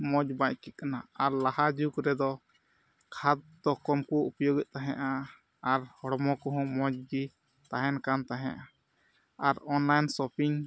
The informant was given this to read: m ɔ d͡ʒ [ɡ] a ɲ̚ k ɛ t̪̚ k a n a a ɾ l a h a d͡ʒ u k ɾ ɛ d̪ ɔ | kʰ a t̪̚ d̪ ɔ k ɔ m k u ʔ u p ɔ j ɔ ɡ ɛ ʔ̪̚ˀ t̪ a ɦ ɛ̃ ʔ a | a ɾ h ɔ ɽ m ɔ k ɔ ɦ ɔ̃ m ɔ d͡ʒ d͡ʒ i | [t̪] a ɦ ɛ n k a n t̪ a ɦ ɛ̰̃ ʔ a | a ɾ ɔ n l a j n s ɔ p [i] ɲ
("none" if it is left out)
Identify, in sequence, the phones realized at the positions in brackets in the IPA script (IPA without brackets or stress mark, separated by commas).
b, t̪, i